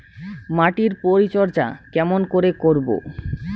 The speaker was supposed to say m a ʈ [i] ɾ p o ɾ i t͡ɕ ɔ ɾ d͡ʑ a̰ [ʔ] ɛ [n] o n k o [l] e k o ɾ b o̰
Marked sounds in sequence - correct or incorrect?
correct, incorrect: k, incorrect: m, incorrect: ɾ

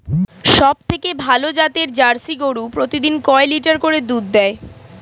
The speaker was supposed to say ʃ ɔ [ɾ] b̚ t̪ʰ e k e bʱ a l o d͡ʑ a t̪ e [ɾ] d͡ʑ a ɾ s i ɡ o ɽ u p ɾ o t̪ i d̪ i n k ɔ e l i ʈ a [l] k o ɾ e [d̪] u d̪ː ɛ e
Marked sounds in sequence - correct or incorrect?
incorrect: none, correct, incorrect: ɾ, correct

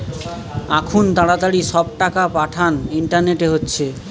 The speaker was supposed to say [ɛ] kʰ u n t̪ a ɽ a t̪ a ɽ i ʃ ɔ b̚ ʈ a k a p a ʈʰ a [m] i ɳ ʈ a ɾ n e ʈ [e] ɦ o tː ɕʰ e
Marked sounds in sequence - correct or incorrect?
incorrect: a, incorrect: n, correct

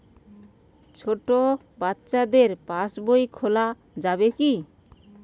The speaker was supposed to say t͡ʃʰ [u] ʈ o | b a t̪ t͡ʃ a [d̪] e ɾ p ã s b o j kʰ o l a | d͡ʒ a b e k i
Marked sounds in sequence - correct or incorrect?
incorrect: o, correct

